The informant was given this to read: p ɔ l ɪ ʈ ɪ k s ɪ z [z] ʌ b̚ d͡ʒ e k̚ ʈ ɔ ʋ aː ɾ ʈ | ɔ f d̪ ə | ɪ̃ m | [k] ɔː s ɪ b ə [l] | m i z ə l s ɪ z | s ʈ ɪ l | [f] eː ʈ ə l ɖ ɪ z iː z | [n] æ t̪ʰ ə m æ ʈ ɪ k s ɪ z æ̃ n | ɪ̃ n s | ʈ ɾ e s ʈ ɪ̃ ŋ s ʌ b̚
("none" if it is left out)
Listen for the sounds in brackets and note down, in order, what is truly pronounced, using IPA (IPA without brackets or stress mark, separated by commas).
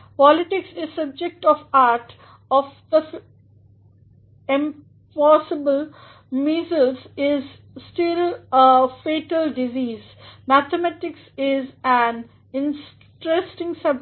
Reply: s, p, l, f, m